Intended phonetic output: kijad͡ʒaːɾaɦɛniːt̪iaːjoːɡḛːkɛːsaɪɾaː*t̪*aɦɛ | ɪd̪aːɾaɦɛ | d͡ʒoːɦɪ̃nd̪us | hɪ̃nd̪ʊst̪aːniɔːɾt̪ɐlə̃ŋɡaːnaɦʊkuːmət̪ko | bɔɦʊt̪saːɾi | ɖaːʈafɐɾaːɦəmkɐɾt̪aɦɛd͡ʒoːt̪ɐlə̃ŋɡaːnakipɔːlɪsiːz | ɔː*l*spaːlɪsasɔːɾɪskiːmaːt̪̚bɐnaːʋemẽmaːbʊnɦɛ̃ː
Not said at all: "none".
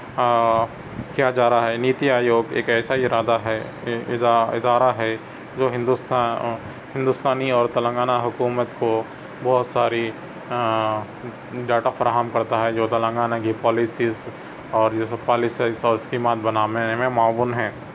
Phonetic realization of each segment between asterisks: d̪, ɾ

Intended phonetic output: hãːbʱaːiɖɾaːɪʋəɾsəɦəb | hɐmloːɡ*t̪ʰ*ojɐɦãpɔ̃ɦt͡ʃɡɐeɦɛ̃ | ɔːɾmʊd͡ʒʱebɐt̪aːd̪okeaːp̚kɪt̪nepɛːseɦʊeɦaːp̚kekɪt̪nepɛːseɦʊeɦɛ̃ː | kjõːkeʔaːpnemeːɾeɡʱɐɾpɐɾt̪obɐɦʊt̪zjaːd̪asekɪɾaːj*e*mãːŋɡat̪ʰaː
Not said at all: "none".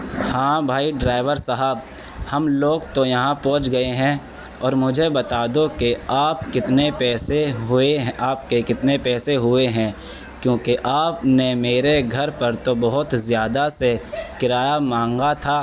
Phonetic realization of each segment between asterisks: t̪, a

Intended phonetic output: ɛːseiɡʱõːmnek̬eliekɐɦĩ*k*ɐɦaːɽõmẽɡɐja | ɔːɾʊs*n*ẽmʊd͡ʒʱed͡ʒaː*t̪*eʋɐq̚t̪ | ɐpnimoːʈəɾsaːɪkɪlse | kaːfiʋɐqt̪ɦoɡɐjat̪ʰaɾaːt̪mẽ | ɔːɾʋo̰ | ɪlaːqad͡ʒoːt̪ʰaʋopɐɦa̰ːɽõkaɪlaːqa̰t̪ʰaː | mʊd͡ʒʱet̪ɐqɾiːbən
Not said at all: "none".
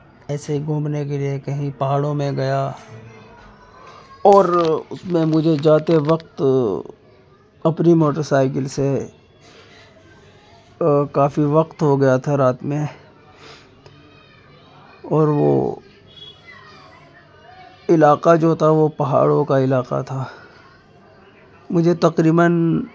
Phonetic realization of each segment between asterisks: p, m, t̪

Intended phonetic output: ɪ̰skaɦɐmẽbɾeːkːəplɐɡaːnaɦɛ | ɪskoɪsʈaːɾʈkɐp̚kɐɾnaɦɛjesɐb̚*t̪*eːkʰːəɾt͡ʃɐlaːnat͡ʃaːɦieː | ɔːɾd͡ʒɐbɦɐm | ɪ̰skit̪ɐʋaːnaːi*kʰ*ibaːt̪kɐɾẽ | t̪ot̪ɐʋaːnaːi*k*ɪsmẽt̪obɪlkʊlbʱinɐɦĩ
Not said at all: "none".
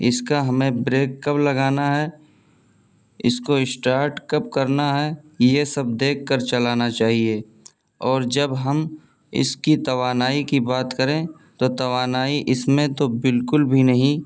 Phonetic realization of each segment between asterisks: d̪, k, ʔ

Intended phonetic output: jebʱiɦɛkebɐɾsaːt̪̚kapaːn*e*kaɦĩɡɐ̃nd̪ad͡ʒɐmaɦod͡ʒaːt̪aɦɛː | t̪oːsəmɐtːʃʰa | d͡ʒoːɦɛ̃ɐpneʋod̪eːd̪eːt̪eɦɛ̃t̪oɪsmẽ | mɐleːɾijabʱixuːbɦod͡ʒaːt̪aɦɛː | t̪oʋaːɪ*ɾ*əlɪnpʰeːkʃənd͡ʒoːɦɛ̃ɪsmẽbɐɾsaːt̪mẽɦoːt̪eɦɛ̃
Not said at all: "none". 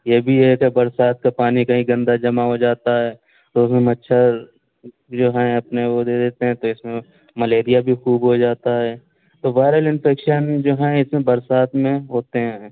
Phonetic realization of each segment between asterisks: i, ɾ

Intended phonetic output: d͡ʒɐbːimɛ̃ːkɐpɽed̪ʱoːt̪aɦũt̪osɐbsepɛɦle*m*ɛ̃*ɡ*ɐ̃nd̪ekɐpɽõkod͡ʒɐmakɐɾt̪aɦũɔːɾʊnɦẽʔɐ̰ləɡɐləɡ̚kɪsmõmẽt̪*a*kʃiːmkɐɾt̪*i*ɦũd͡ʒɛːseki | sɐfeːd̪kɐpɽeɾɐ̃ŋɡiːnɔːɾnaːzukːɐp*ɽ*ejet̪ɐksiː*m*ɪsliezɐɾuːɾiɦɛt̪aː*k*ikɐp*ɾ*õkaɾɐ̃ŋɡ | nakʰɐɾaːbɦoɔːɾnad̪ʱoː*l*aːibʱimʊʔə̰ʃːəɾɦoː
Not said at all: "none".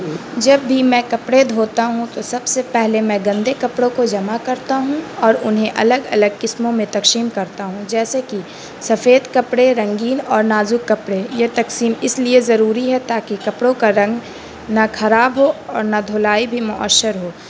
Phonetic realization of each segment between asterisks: m, ɡ, ɐ, a, ɽ, m, k, ɽ, l

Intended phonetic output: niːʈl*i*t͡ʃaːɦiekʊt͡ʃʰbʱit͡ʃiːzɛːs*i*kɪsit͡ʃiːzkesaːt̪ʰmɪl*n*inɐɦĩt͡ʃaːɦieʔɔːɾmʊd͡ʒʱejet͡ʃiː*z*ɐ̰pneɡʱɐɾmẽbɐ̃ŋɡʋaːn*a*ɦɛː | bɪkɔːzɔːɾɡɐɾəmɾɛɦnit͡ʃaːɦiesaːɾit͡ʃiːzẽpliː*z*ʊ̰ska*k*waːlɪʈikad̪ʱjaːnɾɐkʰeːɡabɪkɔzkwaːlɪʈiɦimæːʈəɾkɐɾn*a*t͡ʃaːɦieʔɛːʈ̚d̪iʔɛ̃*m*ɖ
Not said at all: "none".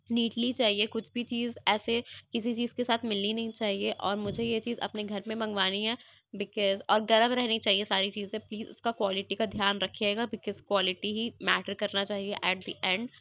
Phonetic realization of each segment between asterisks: i, e, n, z, i, z, k, a, ɳ

